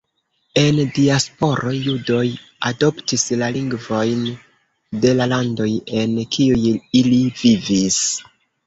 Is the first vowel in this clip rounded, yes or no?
no